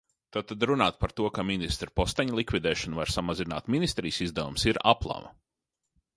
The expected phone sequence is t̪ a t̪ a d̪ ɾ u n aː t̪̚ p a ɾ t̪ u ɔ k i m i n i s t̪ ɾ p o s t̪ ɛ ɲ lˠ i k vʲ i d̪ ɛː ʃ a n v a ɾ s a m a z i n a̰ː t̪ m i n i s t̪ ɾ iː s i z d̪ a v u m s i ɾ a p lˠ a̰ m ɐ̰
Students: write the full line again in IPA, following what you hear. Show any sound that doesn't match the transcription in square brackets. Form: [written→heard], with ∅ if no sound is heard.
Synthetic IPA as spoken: t̪ a t̪ a d̪ ɾ u n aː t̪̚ p a ɾ t̪ u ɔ k [i→a] m i n i s t̪ ɾ p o s t̪ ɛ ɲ lˠ i k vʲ i d̪ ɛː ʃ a n v a ɾ s a m a z i n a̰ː t̪ m i n i s t̪ ɾ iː s i z d̪ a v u m s i ɾ a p lˠ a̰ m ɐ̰